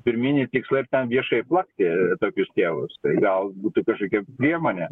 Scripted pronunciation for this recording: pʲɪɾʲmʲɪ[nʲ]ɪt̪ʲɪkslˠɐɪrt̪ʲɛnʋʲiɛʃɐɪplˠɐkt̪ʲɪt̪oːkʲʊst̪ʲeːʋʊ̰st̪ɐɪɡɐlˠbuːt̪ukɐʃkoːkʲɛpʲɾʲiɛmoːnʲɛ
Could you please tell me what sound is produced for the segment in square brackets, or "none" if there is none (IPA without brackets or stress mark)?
nʲ